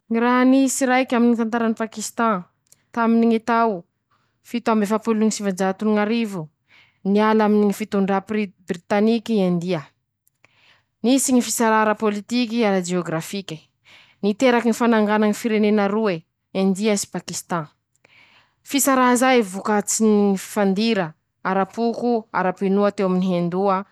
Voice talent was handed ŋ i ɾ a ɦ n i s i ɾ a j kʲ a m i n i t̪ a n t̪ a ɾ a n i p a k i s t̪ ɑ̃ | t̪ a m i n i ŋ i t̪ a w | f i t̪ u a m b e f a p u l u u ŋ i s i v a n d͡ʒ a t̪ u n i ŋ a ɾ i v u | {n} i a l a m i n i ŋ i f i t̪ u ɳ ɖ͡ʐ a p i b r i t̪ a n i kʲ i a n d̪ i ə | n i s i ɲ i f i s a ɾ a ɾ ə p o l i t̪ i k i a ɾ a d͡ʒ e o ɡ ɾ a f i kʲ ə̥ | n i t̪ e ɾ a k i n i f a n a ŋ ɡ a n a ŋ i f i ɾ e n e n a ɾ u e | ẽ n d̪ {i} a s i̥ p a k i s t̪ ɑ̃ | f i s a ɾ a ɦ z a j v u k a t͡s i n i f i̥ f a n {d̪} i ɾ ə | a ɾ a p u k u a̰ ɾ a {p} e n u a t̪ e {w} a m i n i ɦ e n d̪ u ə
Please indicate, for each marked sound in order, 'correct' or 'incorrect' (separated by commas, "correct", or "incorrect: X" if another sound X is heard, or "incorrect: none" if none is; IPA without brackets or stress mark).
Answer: correct, correct, correct, correct, correct